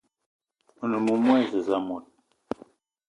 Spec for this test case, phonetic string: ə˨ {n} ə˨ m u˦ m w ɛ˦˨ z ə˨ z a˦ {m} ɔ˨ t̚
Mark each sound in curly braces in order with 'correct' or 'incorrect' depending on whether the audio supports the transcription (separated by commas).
correct, correct